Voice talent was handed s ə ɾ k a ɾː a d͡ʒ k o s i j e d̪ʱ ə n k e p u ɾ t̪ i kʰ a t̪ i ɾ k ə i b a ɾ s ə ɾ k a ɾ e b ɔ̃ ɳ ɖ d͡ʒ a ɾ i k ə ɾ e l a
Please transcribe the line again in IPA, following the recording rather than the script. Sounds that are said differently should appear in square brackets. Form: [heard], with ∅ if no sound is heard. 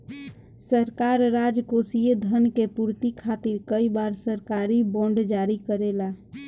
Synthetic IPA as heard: s ə ɾ k a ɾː a d͡ʒ k o s i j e d̪ʱ ə n k e p u ɾ t̪ i kʰ a t̪ i ɾ k ə i b a ɾ s ə ɾ k a ɾ [i] b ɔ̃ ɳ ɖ d͡ʒ a ɾ i k ə ɾ e l a